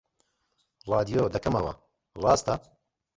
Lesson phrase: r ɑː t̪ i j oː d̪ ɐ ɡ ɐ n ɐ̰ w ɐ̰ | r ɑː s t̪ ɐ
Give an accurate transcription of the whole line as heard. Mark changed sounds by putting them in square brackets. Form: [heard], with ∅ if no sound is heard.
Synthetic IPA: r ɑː [d̪] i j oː d̪ ɐ [k] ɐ [m] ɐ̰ w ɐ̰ | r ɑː s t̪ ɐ